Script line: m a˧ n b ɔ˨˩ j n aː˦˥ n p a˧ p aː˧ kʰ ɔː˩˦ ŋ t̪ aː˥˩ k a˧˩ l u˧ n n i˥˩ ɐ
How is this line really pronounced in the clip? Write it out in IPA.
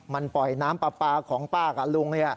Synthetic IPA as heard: m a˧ n p ɔ˨˩ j n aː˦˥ m p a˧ p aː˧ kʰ ɔː˩˦ ŋ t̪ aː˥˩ k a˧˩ l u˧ ŋ n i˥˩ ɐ